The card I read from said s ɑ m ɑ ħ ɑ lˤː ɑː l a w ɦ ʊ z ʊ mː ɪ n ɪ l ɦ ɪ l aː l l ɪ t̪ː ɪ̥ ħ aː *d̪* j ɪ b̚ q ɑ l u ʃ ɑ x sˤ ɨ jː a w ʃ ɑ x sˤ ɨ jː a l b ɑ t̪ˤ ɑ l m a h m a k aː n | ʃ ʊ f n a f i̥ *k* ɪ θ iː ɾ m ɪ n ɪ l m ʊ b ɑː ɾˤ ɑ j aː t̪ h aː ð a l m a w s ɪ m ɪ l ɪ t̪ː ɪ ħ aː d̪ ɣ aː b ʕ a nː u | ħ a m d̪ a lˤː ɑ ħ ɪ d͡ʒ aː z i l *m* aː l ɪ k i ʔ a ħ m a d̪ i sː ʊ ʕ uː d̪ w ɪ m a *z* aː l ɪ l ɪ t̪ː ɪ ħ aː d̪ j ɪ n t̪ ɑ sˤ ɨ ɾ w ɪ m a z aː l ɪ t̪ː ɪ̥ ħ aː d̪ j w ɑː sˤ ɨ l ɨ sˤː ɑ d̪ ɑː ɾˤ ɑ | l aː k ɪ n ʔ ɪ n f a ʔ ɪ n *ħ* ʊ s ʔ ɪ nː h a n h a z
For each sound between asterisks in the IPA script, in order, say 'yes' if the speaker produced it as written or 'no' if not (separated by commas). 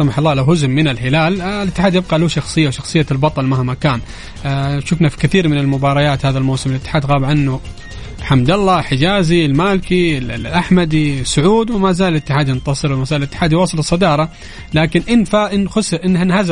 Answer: yes, yes, yes, yes, no